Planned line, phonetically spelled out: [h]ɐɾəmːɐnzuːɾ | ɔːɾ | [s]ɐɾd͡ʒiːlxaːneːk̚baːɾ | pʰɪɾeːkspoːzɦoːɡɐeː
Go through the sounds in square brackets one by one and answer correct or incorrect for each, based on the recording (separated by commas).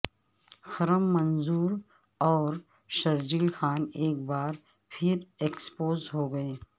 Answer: incorrect, incorrect